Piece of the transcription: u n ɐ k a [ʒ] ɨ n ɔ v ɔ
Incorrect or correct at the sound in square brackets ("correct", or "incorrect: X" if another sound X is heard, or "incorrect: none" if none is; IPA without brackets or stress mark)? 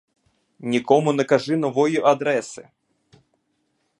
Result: incorrect: ʐ